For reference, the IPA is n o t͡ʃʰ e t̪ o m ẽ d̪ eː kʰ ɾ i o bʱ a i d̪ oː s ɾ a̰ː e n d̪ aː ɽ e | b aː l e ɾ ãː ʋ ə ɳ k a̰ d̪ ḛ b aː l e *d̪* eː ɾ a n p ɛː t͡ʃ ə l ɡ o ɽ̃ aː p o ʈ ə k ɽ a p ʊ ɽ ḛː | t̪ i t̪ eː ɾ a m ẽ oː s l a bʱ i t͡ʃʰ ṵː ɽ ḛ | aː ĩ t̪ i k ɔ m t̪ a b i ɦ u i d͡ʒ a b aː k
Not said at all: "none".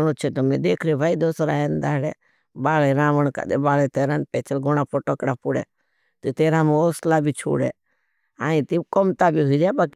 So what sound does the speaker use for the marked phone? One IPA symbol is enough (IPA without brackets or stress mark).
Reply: t̪